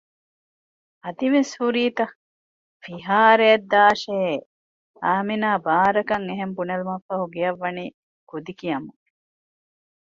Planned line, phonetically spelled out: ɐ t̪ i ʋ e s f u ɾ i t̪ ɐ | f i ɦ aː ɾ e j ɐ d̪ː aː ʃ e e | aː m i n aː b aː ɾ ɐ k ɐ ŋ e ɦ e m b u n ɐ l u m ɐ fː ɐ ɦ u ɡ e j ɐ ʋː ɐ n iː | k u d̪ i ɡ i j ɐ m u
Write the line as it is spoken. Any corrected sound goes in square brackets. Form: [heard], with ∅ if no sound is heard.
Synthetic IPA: ɐ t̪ i ʋ e s [h] u ɾ [iː] t̪ ɐ | f i ɦ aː ɾ e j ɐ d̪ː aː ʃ e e | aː m i n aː b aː ɾ ɐ k ɐ ŋ e ɦ e m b u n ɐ l u m ɐ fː ɐ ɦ u ɡ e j ɐ ʋː ɐ n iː | k u d̪ i [k] i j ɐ m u